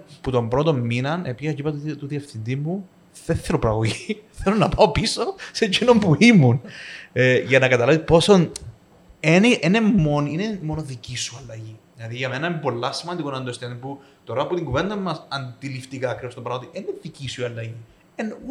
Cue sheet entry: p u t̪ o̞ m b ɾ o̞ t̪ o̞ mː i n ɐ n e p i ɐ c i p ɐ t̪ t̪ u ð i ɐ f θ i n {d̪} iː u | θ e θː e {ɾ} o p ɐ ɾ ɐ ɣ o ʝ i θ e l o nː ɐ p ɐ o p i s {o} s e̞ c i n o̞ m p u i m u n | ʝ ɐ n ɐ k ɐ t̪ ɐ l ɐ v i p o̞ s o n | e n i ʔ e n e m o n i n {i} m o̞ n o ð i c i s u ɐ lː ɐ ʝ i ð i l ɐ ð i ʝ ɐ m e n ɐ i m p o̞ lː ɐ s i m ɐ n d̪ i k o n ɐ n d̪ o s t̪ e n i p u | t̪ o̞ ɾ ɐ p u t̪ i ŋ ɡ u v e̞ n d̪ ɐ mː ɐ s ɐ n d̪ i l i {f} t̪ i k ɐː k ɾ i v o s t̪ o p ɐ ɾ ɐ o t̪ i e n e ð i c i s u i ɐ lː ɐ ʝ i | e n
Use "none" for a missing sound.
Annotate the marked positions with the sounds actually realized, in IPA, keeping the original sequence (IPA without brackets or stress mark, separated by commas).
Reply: d̪, ɾ, o, e, f